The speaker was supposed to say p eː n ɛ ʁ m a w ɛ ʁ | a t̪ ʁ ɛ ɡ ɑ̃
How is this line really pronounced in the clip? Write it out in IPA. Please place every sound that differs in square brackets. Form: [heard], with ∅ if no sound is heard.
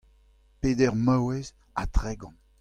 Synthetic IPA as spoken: p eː [d] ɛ ʁ m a w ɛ [z] | a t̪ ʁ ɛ ɡ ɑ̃